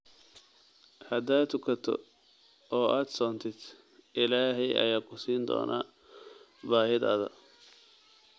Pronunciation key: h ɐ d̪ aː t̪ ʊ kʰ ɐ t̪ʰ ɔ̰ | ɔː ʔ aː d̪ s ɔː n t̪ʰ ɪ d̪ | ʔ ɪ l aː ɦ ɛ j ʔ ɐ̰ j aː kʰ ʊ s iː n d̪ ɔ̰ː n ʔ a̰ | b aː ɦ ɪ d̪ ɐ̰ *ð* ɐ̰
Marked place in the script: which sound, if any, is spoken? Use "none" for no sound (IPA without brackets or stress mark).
ð